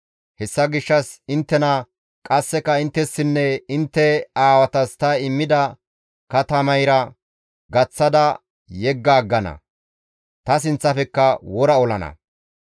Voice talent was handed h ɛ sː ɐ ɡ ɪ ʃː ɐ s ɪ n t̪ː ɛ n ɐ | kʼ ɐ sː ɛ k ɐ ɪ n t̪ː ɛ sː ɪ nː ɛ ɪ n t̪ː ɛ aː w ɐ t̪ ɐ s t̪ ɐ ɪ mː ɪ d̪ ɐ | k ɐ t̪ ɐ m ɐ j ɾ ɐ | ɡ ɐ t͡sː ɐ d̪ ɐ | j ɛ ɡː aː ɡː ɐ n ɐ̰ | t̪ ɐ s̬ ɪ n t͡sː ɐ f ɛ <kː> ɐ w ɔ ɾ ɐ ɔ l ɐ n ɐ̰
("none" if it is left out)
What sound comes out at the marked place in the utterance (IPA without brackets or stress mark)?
kː